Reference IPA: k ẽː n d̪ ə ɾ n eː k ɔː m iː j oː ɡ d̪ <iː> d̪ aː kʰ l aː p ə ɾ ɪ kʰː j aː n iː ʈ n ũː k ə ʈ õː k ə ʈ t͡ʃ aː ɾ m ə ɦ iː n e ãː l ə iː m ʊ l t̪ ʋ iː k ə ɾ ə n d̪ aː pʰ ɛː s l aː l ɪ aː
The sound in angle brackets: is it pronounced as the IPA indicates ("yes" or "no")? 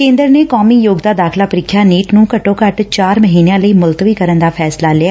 no